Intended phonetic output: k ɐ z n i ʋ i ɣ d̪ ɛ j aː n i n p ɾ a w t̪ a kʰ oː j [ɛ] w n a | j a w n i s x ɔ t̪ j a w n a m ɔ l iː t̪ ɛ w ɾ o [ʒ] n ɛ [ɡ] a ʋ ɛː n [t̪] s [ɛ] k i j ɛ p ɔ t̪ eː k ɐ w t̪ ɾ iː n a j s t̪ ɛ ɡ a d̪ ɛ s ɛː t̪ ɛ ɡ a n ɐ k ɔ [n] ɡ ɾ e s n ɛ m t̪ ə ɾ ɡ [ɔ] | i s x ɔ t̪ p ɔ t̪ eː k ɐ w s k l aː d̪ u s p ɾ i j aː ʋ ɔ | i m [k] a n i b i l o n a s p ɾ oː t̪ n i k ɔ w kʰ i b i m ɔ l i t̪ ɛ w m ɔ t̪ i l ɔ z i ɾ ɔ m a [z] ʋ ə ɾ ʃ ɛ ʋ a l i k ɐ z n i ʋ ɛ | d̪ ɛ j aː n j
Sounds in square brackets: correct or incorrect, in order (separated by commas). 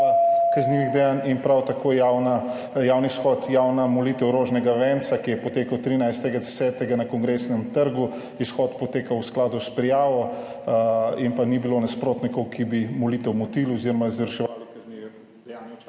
incorrect, correct, correct, correct, incorrect, incorrect, incorrect, incorrect, correct